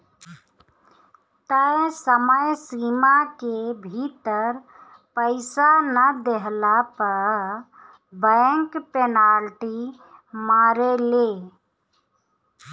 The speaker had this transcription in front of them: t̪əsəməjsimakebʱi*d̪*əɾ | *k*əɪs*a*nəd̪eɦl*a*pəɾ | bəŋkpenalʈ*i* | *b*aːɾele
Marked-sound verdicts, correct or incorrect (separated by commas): incorrect, incorrect, correct, correct, correct, incorrect